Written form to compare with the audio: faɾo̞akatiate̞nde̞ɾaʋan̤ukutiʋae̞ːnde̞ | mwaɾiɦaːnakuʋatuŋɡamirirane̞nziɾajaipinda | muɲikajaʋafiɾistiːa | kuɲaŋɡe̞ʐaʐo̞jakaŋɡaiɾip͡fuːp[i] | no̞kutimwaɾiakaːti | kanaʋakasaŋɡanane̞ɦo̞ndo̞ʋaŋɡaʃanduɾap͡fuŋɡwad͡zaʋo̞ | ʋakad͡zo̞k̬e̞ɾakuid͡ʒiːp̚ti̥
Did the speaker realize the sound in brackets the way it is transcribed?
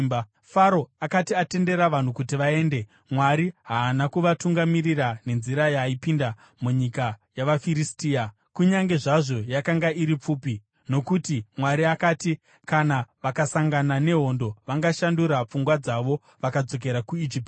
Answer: yes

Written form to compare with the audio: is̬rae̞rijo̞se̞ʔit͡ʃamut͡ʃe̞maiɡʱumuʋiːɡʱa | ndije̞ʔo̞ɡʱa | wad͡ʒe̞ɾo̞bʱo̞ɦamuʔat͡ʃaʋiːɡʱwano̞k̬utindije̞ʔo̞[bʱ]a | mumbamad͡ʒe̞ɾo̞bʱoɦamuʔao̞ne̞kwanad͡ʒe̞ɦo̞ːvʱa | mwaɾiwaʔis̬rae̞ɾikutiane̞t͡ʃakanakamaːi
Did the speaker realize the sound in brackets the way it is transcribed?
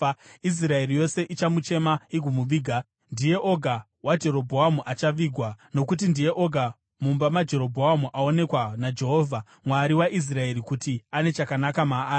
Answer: no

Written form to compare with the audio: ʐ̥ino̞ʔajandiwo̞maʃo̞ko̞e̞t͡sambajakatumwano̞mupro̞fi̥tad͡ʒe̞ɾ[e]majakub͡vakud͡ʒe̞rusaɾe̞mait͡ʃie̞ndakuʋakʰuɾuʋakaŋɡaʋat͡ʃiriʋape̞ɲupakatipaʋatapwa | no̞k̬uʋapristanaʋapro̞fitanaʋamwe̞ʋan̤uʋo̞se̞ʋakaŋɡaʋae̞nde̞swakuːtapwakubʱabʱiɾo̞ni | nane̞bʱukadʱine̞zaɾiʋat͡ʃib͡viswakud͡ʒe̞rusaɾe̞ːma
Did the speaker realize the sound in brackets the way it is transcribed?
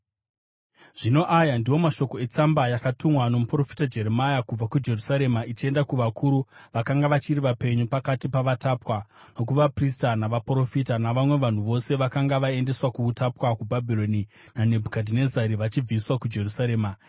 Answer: yes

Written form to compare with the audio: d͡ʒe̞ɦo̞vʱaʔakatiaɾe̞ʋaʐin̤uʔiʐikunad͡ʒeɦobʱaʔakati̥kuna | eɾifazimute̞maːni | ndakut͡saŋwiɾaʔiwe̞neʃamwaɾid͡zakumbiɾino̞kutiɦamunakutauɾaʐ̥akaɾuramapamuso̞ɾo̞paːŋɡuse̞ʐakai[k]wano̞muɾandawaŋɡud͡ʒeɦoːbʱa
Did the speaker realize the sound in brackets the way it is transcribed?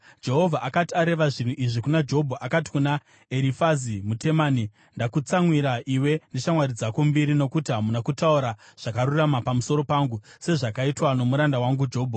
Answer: no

